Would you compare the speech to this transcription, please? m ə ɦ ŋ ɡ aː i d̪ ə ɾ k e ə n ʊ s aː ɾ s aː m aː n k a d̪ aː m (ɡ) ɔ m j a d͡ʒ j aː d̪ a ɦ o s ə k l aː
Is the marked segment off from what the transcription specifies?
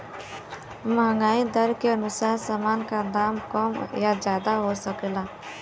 yes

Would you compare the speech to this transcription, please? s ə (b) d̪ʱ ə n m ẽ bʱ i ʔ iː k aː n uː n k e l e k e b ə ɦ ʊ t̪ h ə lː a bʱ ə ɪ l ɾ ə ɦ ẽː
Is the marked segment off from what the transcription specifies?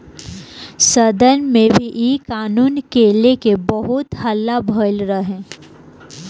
yes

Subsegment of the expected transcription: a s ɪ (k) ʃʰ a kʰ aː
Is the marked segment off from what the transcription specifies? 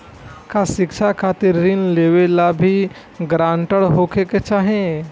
no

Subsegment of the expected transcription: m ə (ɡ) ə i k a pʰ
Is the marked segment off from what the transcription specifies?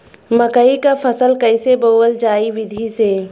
yes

